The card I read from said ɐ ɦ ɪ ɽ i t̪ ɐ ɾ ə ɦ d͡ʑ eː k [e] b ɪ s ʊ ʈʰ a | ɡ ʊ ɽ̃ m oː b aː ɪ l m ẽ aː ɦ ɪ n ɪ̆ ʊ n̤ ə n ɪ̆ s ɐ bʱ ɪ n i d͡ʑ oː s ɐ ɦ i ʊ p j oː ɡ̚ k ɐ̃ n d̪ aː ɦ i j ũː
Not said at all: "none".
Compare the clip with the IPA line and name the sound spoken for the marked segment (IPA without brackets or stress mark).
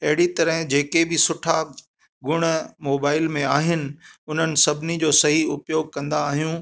e